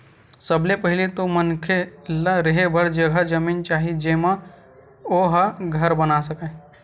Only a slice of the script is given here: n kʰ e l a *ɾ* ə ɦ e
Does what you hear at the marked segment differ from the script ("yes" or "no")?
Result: no